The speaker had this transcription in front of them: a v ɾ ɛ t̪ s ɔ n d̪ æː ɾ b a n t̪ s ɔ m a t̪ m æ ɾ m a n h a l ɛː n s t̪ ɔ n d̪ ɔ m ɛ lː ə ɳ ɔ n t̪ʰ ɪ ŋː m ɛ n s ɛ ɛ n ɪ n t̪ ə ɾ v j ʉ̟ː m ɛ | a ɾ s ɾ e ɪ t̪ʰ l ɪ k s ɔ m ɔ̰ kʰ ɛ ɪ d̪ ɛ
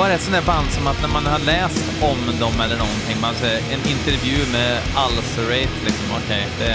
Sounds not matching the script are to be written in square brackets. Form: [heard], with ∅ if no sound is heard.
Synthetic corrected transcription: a [∅] ɾ ɛ t̪ s ɔ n d̪ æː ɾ b a n [d̪] s ɔ m a t̪ [n] æ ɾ m a n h a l ɛː [∅] s t̪ ɔ [m] d̪ ɔ m ɛ lː ə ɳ ɔ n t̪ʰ ɪ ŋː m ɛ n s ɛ ɛ n ɪ n t̪ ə ɾ v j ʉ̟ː m ɛ | a [l] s ɾ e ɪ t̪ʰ l ɪ k s ɔ m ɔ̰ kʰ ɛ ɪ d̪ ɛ